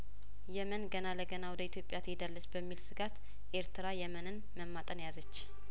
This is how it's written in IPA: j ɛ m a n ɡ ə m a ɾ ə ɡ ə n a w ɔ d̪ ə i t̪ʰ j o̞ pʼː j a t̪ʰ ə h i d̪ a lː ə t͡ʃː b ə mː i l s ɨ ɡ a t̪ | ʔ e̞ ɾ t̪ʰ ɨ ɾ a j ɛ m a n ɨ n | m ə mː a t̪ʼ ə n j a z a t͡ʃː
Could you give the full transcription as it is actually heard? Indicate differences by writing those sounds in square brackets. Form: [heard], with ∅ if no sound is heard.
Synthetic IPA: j ɛ m [ə] n ɡ ə [n] a [l] ə ɡ ə n a w ɔ d̪ ə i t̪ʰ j o̞ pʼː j a t̪ʰ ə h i d̪ a lː ə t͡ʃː b ə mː i l s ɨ ɡ a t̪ | ʔ e̞ ɾ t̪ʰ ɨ ɾ a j ɛ m [ə] n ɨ n | m ə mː a t̪ʼ ə n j a z [ə] t͡ʃː